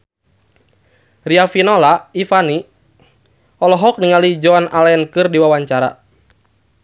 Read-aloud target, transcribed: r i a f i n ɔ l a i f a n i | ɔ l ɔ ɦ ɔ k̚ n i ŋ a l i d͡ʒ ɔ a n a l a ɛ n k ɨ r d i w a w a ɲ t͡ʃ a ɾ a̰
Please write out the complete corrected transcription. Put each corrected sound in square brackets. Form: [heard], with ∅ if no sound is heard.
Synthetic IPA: r i a f i n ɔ l a i f a n i | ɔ l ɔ ɦ ɔ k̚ n i ŋ a l i d͡ʒ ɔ a n a l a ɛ n k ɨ r d i w a w a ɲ t͡ʃ a ɾ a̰